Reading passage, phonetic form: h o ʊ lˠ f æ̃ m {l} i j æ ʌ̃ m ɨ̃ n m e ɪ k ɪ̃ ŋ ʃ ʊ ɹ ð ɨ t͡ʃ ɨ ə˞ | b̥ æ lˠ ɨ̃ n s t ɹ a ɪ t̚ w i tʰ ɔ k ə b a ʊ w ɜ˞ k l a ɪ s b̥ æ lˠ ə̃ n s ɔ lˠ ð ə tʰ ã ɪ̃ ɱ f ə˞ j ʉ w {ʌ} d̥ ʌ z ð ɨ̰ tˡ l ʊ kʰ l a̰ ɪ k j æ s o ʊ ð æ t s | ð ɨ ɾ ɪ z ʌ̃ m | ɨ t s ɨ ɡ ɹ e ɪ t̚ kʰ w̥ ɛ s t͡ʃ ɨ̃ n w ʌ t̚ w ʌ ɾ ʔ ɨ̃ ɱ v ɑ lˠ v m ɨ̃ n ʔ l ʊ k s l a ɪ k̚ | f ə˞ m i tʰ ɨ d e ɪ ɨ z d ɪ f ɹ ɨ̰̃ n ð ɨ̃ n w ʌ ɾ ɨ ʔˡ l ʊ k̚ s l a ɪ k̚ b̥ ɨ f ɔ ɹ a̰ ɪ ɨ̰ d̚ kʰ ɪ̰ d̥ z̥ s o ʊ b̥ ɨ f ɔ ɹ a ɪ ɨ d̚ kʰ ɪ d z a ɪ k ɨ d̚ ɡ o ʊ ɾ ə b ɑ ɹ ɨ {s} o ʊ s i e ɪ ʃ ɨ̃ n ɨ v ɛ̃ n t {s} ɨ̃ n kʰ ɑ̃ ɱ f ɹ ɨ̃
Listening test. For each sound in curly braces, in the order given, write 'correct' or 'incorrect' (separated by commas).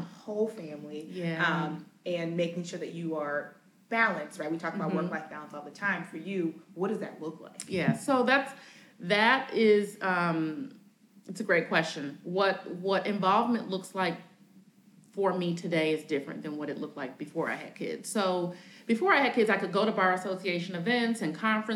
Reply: correct, correct, correct, correct